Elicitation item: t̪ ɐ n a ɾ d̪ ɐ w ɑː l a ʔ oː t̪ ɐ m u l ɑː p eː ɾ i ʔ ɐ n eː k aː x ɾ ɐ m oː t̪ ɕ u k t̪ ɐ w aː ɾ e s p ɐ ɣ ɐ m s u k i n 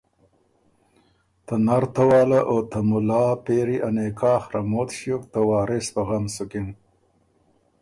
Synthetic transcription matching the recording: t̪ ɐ n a ɾ t̪ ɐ w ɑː l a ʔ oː t̪ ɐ m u l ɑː p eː ɾ i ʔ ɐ n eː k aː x ɾ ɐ m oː t̪ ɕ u k t̪ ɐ w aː ɾ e s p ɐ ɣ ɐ m s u k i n